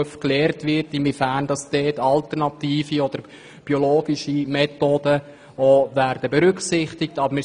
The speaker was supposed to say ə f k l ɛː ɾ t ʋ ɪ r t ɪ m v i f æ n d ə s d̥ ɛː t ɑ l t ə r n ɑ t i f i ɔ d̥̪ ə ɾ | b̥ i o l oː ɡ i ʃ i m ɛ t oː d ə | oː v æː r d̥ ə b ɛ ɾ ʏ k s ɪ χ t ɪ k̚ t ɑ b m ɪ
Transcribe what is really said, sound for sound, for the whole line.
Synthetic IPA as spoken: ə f k l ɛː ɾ t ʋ ɪ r t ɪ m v i f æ n d ɑ s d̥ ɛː t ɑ l t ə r n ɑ t iː f i ɔ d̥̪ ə ɾ | b̥ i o l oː ɡ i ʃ i m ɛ t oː d ə | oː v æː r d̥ ə b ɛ ɾ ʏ k s ɪ χ t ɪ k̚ t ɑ b m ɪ